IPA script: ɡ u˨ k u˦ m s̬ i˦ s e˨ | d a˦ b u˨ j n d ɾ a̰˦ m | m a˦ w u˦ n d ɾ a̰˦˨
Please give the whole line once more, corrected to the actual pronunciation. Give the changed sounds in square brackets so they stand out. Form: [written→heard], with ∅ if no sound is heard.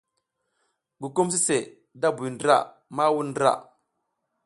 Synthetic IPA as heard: ɡ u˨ k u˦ m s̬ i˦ s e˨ | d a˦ b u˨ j n d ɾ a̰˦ [m→∅] | m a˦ w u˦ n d ɾ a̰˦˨